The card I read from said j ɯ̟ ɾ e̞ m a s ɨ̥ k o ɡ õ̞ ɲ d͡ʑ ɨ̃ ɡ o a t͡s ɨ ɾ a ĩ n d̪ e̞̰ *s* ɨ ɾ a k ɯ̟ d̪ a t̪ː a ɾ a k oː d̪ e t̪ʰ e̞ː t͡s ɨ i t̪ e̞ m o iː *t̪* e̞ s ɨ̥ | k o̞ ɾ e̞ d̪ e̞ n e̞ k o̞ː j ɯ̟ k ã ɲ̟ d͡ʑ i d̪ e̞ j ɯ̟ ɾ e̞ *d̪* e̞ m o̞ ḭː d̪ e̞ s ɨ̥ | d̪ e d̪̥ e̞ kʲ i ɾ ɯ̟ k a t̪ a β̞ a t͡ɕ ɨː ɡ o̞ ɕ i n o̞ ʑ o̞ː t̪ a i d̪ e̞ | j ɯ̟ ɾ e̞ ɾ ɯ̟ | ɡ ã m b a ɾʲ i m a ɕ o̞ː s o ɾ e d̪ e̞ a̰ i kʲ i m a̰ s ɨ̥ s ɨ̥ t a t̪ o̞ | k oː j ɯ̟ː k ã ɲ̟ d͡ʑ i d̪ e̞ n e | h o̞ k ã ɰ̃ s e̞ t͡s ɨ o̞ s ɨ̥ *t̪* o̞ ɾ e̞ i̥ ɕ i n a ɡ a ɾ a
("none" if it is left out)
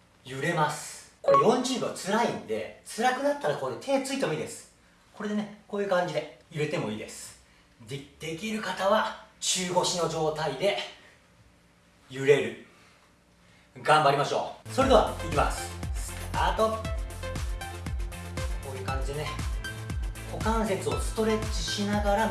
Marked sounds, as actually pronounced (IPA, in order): t͡s, d̪, t̪, t̪

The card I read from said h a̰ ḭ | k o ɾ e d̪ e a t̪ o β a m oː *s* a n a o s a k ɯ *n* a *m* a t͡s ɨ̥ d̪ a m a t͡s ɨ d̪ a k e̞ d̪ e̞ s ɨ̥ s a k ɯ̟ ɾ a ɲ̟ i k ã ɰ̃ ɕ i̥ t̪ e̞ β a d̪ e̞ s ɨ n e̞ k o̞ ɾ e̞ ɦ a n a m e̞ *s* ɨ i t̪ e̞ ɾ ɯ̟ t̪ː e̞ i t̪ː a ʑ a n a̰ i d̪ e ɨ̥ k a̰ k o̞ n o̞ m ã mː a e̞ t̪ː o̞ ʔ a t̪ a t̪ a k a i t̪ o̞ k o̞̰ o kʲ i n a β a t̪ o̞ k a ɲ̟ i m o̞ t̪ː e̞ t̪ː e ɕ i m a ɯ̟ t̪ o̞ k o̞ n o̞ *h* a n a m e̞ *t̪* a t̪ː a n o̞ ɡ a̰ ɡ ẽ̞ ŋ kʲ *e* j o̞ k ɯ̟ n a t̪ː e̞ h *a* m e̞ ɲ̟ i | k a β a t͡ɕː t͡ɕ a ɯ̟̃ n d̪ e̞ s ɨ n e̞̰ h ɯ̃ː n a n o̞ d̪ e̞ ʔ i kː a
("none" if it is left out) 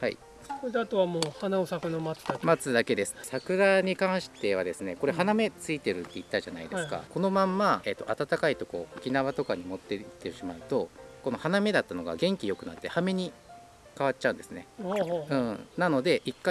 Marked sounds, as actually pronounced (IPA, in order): h, n, m, t͡s, h, d̪, i, a

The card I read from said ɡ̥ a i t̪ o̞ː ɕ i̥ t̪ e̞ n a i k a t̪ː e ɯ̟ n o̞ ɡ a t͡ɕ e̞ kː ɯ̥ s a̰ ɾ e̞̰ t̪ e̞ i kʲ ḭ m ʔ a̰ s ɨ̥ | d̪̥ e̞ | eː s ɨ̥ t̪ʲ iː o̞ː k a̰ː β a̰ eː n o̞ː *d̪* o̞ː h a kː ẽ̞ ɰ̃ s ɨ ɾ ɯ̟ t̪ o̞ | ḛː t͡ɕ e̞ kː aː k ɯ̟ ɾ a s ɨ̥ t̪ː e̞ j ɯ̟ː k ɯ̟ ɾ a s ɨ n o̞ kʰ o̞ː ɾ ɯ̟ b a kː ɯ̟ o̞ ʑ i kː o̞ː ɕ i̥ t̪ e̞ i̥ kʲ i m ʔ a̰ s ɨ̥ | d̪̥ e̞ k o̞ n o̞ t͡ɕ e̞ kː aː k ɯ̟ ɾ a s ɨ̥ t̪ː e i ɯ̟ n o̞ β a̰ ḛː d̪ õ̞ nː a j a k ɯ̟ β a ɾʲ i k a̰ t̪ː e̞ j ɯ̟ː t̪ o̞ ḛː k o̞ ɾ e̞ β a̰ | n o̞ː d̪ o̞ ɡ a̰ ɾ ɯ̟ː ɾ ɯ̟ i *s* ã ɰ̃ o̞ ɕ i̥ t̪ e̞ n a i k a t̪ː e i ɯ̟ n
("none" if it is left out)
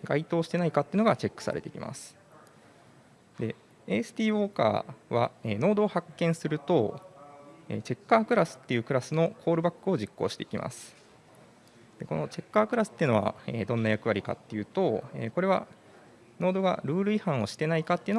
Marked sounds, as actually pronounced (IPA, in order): d̪, h

